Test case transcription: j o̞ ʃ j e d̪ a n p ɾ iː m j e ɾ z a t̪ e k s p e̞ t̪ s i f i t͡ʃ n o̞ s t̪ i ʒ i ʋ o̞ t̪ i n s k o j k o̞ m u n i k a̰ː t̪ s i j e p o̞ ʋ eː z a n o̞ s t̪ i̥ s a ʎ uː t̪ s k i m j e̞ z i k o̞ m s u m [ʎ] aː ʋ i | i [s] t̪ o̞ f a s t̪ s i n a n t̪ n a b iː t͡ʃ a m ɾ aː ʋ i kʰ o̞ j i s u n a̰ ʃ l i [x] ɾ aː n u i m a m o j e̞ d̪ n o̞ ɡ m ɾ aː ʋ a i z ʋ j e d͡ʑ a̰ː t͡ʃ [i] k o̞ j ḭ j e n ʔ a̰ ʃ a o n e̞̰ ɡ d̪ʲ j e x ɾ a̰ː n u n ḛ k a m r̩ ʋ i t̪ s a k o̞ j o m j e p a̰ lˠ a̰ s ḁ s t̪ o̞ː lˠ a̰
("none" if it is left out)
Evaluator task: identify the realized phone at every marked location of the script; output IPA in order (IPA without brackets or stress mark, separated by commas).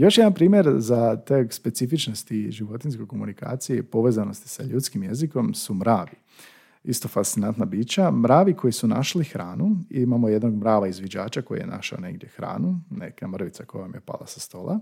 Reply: ɾ, s, x, a